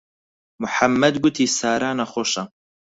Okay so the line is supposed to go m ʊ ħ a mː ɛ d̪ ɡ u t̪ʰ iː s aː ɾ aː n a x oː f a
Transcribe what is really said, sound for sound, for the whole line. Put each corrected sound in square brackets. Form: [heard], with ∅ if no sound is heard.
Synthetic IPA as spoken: m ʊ ħ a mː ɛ d̪ ɡ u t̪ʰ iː s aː ɾ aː n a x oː [ʃ] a

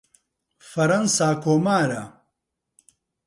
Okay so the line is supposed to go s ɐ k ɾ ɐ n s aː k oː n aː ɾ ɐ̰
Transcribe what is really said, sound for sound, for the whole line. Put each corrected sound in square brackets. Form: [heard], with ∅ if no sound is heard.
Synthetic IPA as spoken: [f] ɐ [∅] ɾ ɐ n s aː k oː [m] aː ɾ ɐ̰

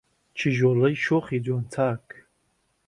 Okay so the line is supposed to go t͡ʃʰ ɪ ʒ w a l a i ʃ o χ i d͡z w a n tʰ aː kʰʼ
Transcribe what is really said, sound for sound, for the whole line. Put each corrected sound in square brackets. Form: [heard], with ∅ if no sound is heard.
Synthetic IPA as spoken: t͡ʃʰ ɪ ʒ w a l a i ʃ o χ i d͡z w a n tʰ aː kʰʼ

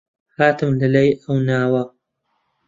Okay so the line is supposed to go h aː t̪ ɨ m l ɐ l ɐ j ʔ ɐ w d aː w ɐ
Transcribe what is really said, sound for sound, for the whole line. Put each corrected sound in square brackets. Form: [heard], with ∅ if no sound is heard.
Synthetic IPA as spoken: h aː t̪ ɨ m l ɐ l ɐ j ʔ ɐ w [n] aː w ɐ

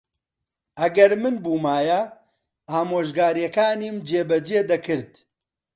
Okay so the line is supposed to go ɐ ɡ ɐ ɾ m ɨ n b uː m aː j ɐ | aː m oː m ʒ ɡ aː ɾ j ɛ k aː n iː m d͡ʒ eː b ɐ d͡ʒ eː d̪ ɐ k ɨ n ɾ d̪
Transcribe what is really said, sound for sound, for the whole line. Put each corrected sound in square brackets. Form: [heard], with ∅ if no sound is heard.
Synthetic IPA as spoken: ɐ ɡ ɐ ɾ m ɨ n b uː m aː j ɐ | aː m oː [∅] ʒ ɡ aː ɾ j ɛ k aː n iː m d͡ʒ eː b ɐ d͡ʒ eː d̪ ɐ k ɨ [∅] ɾ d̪

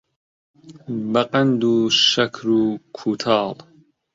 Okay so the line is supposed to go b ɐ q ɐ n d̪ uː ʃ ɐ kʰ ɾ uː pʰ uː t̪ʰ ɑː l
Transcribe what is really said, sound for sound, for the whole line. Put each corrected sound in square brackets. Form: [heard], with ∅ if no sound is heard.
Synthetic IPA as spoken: b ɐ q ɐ n d̪ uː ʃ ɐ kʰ ɾ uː [kʰ] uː t̪ʰ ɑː l

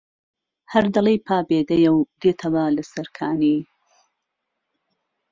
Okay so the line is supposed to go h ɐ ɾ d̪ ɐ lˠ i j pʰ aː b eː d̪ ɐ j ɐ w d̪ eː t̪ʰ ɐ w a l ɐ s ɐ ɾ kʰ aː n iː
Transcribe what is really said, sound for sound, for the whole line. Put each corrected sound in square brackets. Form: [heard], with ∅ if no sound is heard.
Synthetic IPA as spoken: h ɐ ɾ d̪ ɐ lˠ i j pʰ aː b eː d̪ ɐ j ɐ w d̪ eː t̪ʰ ɐ w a l ɐ s ɐ ɾ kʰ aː n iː

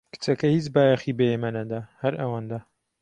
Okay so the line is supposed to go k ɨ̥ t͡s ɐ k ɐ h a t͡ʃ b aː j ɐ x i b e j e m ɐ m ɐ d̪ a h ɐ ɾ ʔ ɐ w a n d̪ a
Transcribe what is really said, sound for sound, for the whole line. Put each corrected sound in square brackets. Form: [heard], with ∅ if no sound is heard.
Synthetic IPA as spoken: k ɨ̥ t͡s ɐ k ɐ h [i] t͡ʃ b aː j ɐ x i b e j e m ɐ [n] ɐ d̪ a h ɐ ɾ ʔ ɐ w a n d̪ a

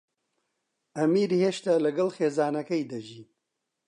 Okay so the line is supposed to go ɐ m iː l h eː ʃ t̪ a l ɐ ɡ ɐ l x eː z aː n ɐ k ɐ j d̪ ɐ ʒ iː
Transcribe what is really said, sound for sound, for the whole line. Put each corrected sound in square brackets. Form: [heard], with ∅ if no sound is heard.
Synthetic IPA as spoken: ɐ m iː [ɾ] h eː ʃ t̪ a l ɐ ɡ ɐ l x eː z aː n ɐ k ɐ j d̪ ɐ ʒ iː

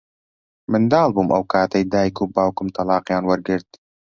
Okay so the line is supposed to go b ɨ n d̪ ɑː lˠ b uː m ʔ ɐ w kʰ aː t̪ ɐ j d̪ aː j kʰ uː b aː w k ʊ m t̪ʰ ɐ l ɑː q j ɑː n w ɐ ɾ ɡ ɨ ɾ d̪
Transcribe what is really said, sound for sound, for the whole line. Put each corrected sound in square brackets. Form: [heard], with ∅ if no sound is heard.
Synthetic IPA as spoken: [m] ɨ n d̪ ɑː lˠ b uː m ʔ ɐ w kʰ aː t̪ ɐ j d̪ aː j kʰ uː b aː w k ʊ m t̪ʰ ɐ l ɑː q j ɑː n w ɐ ɾ ɡ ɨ ɾ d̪

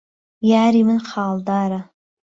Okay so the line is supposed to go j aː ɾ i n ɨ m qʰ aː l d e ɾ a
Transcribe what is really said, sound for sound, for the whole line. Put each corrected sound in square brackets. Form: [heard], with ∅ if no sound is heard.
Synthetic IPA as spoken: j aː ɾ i [m] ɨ [n] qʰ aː l d [a] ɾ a

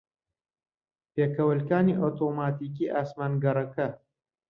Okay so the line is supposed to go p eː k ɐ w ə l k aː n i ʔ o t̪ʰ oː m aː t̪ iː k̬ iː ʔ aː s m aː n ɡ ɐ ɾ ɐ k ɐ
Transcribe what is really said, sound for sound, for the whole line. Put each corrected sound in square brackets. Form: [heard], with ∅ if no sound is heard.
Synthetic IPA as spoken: p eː k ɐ w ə l k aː n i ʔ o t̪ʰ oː m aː t̪ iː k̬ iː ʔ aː s m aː n ɡ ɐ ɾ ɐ k ɐ

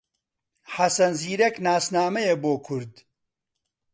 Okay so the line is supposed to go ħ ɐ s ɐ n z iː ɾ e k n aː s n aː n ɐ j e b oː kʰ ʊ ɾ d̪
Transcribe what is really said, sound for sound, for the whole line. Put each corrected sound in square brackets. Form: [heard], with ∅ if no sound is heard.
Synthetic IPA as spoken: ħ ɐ s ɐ n z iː ɾ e k n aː s n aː [m] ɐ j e b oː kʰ ʊ ɾ d̪

